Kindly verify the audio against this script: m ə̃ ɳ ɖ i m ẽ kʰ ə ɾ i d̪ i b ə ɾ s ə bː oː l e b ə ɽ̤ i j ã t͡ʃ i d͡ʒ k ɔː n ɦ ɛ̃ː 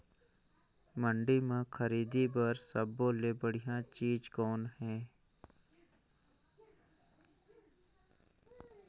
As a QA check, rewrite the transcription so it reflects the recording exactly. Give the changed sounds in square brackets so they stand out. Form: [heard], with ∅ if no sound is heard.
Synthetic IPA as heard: m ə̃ ɳ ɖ i m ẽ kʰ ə ɾ [iː] d̪ i b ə ɾ s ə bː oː l e b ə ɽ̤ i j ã t͡ʃ [iː] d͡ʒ k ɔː n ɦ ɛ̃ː